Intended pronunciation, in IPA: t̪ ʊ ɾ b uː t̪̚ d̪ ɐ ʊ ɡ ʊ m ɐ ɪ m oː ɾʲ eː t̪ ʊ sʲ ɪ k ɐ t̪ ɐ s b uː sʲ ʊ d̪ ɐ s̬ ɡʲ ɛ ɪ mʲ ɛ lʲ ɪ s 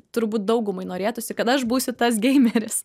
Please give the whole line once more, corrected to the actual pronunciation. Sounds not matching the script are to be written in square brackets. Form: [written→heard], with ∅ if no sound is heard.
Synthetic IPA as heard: t̪ ʊ ɾ b uː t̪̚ d̪ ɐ ʊ ɡ ʊ m ɐ ɪ [m→n] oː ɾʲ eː t̪ ʊ sʲ ɪ k ɐ t̪ ɐ [s→ʃ] b uː sʲ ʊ [d̪→t̪] ɐ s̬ ɡʲ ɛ ɪ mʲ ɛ [lʲ→ɾʲ] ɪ s